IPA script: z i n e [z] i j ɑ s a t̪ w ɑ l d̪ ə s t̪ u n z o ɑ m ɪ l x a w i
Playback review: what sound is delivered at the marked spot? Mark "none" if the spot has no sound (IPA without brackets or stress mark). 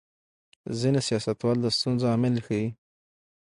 s